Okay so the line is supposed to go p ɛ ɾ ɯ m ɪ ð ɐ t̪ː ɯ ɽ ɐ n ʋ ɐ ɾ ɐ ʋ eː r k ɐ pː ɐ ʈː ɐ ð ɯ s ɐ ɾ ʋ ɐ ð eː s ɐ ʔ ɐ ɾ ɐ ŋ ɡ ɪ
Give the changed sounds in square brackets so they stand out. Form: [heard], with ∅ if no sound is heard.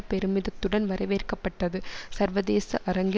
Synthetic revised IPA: p ɛ ɾ ɯ m ɪ ð ɐ t̪ː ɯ ɽ ɐ n ʋ ɐ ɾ ɐ ʋ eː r k ɐ pː ɐ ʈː ɐ ð ɯ s ɐ ɾ ʋ ɐ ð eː s ɐ ʔ ɐ ɾ ɐ ŋ ɡ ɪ